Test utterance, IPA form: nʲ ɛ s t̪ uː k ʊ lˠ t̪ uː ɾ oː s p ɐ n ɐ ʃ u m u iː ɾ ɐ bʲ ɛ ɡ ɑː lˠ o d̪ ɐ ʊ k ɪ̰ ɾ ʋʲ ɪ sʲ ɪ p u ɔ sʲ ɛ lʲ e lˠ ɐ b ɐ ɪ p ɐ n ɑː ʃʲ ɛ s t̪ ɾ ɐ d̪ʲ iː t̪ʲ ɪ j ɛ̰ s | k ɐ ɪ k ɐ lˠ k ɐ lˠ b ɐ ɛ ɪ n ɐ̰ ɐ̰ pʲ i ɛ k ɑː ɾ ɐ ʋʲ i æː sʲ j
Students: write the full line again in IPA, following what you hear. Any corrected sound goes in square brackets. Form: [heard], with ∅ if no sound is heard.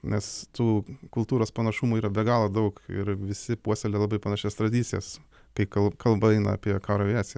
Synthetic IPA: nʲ ɛ s t̪ uː k ʊ lˠ t̪ uː ɾ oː s p ɐ n ɐ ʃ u m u iː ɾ ɐ bʲ ɛ ɡ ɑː lˠ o d̪ ɐ ʊ k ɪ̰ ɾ ʋʲ ɪ sʲ ɪ p u ɔ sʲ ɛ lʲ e lˠ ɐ b ɐ ɪ p ɐ n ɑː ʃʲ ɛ s t̪ ɾ ɐ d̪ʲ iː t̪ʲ ɪ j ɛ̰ s | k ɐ ɪ k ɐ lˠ k ɐ lˠ b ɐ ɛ ɪ n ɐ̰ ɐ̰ pʲ i ɛ k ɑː ɾ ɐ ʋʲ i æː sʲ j

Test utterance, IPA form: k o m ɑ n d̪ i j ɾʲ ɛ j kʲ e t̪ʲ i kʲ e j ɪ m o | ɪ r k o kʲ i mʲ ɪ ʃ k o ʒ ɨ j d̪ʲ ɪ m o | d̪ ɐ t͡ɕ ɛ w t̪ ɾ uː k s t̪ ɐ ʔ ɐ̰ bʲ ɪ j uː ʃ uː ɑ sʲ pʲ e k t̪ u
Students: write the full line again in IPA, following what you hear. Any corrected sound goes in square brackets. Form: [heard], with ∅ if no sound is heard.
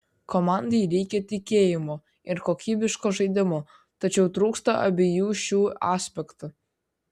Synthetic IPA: k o m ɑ n d̪ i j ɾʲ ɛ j kʲ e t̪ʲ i kʲ e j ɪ m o | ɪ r k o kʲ i [bʲ] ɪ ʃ k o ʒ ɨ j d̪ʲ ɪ m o | [t̪] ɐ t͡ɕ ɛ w t̪ ɾ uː k s t̪ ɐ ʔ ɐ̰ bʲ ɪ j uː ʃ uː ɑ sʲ pʲ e k t̪ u

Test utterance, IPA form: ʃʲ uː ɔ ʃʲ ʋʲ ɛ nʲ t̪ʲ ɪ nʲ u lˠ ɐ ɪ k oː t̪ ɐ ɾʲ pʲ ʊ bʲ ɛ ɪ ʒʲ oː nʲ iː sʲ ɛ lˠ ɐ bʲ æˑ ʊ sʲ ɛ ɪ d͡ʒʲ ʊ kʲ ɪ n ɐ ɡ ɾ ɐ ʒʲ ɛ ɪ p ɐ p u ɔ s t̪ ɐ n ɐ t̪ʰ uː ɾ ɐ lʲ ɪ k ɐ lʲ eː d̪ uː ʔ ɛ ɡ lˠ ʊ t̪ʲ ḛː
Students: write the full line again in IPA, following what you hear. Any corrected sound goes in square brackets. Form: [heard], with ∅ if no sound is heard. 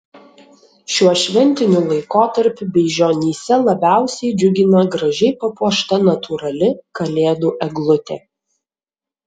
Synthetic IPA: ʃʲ [u] ɔ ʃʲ ʋʲ ɛ nʲ t̪ʲ ɪ nʲ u lˠ ɐ ɪ k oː t̪ ɐ ɾʲ pʲ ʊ bʲ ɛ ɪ ʒʲ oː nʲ iː sʲ ɛ lˠ ɐ bʲ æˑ ʊ sʲ ɛ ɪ d͡ʒʲ ʊ [ɡʲ] ɪ n ɐ ɡ ɾ ɐ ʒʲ ɛ ɪ p ɐ p u ɔ [ʃ] t̪ ɐ n ɐ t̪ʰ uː ɾ ɐ lʲ ɪ k ɐ lʲ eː d̪ uː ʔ ɛ ɡ lˠ ʊ t̪ʲ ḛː

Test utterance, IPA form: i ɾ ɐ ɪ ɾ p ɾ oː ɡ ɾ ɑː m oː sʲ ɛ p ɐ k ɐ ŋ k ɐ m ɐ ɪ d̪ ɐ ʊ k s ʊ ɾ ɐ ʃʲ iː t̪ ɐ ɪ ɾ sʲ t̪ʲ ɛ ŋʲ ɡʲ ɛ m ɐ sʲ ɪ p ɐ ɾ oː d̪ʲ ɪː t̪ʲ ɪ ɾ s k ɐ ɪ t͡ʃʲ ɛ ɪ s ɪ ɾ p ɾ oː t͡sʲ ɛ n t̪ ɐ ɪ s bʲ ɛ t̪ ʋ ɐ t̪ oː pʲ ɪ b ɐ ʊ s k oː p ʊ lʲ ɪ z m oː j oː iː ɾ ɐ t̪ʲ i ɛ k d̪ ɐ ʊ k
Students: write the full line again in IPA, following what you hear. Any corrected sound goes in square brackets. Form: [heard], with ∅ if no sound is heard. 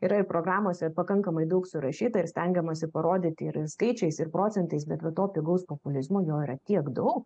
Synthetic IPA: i ɾ ɐ ɪ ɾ p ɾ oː ɡ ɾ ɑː m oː sʲ ɛ p ɐ k ɐ ŋ k ɐ m ɐ ɪ d̪ ɐ ʊ k s ʊ ɾ ɐ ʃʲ iː t̪ ɐ ɪ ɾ sʲ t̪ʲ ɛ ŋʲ ɡʲ ɛ m ɐ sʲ ɪ p ɐ ɾ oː d̪ʲ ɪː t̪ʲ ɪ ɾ s k ɐ ɪ t͡ʃʲ ɛ ɪ s ɪ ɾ p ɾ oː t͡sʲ ɛ n t̪ ɐ ɪ s bʲ ɛ t̪ ʋ ɐ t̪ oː pʲ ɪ [ɡ] ɐ ʊ s [p] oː p ʊ lʲ ɪ z m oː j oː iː ɾ ɐ t̪ʲ i ɛ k d̪ ɐ ʊ k

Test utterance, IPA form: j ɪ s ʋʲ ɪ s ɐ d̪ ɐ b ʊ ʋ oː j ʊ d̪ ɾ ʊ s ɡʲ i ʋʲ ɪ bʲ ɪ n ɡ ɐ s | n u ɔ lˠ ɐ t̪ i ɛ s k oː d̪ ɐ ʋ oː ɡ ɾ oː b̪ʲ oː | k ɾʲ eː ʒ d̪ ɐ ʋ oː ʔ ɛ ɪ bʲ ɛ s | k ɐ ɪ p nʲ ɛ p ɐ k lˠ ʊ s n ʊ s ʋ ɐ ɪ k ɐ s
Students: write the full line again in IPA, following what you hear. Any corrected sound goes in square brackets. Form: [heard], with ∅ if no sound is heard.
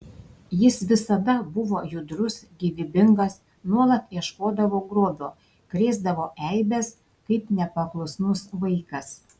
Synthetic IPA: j ɪ s ʋʲ ɪ s ɐ d̪ ɐ b ʊ ʋ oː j ʊ d̪ ɾ ʊ s ɡʲ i ʋʲ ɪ bʲ ɪ [ŋ] ɡ ɐ s | n u ɔ lˠ ɐ t̪ i ɛ [ʃ] k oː d̪ ɐ ʋ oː ɡ ɾ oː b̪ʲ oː | k ɾʲ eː [z] d̪ ɐ ʋ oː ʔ ɛ ɪ bʲ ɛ s | k ɐ ɪ p nʲ ɛ p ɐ k lˠ ʊ s n ʊ s ʋ ɐ ɪ k ɐ s

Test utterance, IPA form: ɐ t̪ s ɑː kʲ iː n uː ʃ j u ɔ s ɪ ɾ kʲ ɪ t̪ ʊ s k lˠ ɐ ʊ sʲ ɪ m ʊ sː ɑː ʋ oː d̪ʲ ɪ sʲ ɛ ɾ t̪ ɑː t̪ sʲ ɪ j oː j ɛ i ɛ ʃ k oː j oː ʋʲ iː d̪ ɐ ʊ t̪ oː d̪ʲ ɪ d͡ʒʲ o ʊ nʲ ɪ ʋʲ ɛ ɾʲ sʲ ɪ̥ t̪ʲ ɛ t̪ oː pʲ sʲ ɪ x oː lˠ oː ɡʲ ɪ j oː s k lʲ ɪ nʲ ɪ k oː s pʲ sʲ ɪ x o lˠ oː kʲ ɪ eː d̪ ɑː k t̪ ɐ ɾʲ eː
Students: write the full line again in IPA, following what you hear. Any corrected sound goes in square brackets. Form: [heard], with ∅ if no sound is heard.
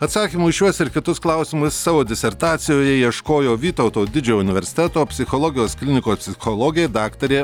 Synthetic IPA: ɐ t̪ s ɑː kʲ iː [m] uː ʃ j u ɔ s ɪ ɾ kʲ ɪ t̪ ʊ s k lˠ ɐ ʊ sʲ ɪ m ʊ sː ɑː ʋ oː d̪ʲ ɪ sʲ ɛ ɾ t̪ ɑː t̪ sʲ ɪ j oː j ɛ i ɛ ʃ k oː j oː ʋʲ iː [t̪] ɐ ʊ t̪ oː d̪ʲ ɪ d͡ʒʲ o ʊ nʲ ɪ ʋʲ ɛ ɾʲ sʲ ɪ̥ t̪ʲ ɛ t̪ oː pʲ sʲ ɪ x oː lˠ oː ɡʲ ɪ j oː s k lʲ ɪ nʲ ɪ k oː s pʲ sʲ ɪ x o lˠ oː [ɡʲ] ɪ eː d̪ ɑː k t̪ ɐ ɾʲ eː

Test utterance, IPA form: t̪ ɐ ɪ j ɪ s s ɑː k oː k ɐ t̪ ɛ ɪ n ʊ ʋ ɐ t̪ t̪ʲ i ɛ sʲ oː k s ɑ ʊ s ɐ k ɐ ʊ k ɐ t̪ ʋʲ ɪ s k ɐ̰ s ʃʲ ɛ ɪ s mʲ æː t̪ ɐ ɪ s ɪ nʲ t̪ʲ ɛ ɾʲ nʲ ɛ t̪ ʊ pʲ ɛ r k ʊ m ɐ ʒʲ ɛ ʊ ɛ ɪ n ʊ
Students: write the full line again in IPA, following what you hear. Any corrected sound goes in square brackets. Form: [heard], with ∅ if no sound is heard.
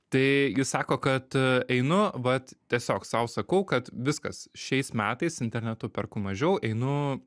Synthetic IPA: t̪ ɐ ɪ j ɪ s s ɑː k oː k ɐ t̪ ɛ ɪ n ʊ ʋ ɐ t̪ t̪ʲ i ɛ sʲ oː k s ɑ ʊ s ɐ k ɐ ʊ k ɐ t̪ ʋʲ ɪ s k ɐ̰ s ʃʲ ɛ ɪ s mʲ æː t̪ ɐ ɪ s ɪ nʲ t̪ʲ ɛ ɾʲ nʲ ɛ t̪ ʊ pʲ ɛ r k ʊ m ɐ ʒʲ ɛ ʊ ɛ ɪ n ʊ

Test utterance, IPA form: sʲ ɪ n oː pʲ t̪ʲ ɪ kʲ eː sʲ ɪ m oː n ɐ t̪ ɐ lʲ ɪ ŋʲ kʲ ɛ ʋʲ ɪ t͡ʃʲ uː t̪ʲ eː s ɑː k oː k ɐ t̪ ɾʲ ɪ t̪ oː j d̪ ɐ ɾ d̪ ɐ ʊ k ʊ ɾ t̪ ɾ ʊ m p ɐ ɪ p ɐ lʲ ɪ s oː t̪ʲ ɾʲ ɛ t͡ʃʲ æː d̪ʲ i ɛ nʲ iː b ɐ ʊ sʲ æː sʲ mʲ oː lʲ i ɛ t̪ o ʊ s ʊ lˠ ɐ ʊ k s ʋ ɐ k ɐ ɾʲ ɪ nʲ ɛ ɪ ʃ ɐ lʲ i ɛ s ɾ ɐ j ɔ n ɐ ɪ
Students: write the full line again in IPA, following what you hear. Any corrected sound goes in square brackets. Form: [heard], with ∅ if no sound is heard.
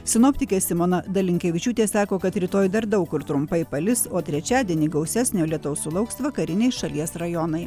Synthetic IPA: sʲ ɪ n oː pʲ t̪ʲ ɪ kʲ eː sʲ ɪ m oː n ɐ [d̪] ɐ lʲ ɪ ŋʲ kʲ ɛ ʋʲ ɪ t͡ʃʲ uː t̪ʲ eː s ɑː k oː k ɐ t̪ ɾʲ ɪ t̪ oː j d̪ ɐ ɾ d̪ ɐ ʊ k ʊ ɾ t̪ ɾ ʊ m p ɐ ɪ p ɐ lʲ ɪ s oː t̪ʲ ɾʲ ɛ t͡ʃʲ æː d̪ʲ i ɛ nʲ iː [ɡ] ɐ ʊ sʲ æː sʲ [nʲ] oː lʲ i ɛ t̪ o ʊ s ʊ lˠ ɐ ʊ k s ʋ ɐ k ɐ ɾʲ ɪ nʲ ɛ ɪ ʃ ɐ lʲ i ɛ s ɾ ɐ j ɔ n ɐ ɪ

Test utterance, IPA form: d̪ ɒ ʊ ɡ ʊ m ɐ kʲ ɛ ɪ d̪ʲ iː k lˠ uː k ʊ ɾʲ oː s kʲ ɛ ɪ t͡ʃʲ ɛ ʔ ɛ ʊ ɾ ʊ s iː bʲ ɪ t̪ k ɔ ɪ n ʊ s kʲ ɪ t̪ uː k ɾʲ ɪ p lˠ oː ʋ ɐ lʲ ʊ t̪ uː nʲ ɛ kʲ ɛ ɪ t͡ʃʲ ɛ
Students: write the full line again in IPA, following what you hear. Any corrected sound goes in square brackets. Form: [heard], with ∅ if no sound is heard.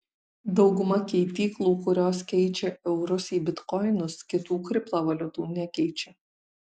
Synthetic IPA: d̪ ɒ ʊ ɡ ʊ m ɐ kʲ ɛ ɪ [t̪ʲ] iː k lˠ uː k ʊ ɾʲ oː s kʲ ɛ ɪ t͡ʃʲ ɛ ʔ ɛ ʊ ɾ ʊ s iː bʲ ɪ t̪ k ɔ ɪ n ʊ s kʲ ɪ t̪ uː k ɾʲ ɪ p lˠ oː ʋ ɐ lʲ ʊ t̪ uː nʲ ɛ kʲ ɛ ɪ t͡ʃʲ ɛ

